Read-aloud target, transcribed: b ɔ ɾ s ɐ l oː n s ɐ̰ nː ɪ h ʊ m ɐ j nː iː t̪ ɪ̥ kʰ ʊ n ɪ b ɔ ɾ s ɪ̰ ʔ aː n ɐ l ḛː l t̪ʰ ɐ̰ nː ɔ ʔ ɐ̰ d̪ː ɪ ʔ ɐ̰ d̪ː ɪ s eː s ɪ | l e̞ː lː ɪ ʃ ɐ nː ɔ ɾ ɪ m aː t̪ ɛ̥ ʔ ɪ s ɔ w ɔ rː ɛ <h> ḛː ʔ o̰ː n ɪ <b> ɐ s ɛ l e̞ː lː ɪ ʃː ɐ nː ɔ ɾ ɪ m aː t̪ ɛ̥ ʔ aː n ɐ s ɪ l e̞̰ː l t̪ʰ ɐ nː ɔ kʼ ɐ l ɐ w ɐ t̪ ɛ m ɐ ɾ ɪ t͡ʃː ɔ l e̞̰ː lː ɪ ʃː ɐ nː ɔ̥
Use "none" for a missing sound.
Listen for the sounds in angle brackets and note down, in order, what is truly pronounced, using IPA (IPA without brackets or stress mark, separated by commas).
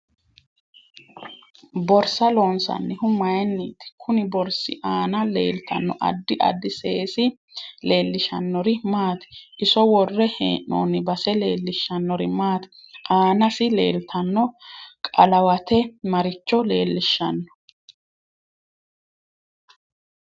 h, b